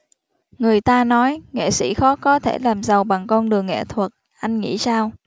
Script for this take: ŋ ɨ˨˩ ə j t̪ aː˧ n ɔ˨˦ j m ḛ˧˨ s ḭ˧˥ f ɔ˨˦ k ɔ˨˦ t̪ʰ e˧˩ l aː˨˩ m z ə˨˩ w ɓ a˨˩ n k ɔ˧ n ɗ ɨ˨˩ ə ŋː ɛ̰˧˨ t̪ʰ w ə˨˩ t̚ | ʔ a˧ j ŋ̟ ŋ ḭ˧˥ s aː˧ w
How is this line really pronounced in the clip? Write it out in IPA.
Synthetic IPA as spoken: ŋ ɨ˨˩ ə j t̪ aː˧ n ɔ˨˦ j ŋ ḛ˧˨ s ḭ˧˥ x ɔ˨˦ k ɔ˨˦ t̪ʰ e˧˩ l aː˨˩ m z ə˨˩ w ɓ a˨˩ ŋ k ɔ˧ n ɗ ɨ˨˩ ə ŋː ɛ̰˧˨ t̪ʰ w ə˨˩ t̚ | ʔ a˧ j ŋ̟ ŋ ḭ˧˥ s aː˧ w